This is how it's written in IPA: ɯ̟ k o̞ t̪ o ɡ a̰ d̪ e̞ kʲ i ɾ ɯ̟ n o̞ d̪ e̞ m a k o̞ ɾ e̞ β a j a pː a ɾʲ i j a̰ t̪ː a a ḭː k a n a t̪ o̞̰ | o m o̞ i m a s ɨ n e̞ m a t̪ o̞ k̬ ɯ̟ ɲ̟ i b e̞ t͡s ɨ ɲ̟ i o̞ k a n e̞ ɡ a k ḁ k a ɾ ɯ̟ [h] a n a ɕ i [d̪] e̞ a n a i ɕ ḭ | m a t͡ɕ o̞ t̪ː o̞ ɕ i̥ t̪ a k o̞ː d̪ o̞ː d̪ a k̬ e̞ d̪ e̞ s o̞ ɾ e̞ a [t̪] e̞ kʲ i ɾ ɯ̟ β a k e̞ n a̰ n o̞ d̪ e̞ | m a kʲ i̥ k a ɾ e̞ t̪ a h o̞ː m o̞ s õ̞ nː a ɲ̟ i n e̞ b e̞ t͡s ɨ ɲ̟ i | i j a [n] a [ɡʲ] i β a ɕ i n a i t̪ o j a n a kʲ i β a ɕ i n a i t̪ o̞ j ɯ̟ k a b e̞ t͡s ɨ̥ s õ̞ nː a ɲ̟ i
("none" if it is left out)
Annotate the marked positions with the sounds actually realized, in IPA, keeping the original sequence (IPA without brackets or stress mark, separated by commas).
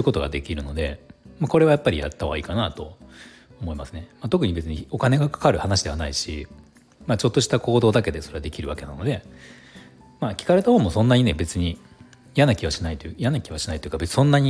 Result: h, d̪, d̪, n, kʲ